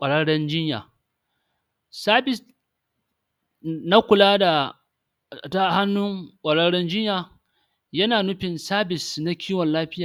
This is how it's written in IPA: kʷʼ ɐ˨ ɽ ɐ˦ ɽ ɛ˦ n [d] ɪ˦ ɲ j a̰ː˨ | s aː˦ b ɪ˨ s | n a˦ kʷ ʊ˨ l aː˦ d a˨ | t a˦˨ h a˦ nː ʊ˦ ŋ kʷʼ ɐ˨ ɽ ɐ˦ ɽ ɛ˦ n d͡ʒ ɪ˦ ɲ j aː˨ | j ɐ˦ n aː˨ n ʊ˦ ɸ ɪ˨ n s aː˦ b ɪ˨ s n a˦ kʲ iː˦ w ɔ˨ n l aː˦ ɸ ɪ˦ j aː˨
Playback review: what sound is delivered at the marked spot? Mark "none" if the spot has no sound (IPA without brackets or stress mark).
d͡ʒ